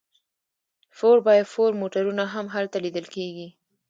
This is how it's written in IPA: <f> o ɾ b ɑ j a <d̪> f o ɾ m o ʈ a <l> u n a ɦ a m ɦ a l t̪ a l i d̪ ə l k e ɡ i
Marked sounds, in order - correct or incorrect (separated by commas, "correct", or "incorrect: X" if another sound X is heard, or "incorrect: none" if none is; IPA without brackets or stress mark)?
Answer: correct, correct, incorrect: ɾ